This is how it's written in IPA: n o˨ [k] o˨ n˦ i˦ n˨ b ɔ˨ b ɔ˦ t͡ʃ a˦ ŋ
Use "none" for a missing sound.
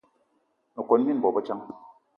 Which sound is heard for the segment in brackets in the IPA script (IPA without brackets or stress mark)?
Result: k